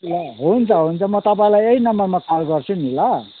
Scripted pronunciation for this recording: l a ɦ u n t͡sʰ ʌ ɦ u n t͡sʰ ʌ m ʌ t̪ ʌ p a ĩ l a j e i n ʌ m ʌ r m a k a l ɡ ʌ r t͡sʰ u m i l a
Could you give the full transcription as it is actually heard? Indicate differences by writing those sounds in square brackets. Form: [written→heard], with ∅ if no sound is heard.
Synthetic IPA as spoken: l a ɦ u n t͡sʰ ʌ ɦ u n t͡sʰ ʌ m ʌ t̪ ʌ p a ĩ l a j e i n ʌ m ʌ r m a k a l ɡ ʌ r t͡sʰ u [m→n] i l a